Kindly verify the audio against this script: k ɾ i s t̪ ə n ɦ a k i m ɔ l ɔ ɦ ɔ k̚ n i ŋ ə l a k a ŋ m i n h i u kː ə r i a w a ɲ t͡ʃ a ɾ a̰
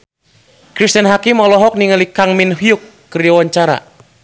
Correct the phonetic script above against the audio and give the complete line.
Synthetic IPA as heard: k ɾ i s t̪ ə n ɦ a k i m ɔ l ɔ ɦ ɔ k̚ n i ŋ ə l i k a ŋ m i n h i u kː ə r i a w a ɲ t͡ʃ a ɾ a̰